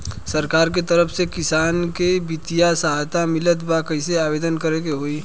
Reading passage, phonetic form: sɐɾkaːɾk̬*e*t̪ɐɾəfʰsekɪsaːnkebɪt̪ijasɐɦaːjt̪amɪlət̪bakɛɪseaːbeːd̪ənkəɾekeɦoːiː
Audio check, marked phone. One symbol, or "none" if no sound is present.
e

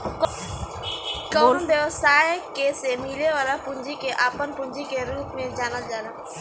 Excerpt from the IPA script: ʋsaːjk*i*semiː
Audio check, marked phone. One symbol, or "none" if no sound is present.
e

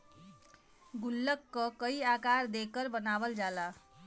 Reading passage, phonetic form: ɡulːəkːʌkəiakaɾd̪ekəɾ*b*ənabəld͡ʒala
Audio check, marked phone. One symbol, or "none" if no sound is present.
b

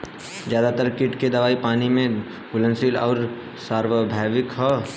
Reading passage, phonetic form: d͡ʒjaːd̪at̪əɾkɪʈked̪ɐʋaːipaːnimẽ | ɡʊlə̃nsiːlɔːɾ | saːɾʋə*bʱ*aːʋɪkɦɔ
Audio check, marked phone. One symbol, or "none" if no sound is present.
bʱ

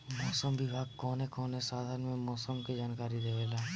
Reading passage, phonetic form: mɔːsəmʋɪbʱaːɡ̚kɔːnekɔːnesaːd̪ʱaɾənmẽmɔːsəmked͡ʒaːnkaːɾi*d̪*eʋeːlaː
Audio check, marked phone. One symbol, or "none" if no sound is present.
d̪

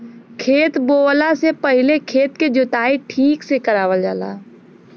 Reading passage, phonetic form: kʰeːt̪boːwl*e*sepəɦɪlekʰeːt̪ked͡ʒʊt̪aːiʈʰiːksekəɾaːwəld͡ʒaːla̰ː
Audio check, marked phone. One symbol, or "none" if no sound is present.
a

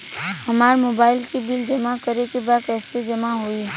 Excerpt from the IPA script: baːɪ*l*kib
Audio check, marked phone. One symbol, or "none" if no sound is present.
l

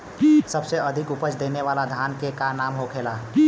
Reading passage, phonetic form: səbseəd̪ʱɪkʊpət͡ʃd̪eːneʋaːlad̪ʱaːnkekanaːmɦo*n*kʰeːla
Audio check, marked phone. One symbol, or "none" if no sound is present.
none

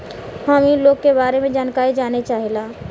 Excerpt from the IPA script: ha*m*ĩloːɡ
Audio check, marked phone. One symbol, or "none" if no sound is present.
m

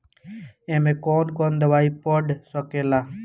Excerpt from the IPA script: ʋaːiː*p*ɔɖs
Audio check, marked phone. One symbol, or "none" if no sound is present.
p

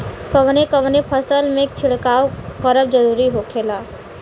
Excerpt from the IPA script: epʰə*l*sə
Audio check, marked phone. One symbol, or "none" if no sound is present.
none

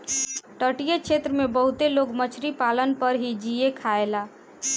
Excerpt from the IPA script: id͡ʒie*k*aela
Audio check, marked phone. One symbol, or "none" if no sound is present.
kʰ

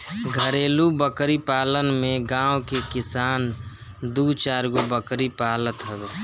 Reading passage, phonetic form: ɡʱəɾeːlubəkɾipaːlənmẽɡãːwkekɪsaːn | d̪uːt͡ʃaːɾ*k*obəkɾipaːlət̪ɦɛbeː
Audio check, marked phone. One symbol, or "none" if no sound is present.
ɡ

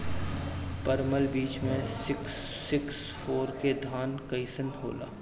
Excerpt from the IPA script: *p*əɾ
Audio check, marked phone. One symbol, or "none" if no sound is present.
p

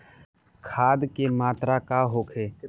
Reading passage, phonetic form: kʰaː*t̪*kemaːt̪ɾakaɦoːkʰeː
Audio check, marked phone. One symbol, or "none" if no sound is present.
d̪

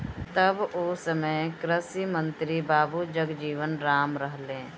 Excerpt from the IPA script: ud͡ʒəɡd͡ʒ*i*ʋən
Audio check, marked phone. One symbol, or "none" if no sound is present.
iː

